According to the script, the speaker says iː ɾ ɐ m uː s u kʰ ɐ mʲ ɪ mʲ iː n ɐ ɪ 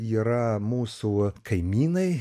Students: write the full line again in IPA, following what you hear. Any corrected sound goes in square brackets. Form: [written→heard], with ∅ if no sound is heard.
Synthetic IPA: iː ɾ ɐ m uː s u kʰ ɐ [mʲ→∅] ɪ mʲ iː n ɐ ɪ